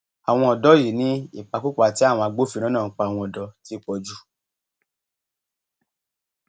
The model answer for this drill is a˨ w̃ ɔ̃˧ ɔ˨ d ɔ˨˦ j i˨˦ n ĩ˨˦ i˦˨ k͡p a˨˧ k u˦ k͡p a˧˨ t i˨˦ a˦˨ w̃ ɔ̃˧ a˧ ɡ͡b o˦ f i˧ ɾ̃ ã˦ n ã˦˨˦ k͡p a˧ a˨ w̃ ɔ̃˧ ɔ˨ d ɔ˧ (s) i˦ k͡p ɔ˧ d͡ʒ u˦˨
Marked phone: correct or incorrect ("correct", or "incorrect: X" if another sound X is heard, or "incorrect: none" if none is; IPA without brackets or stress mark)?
incorrect: t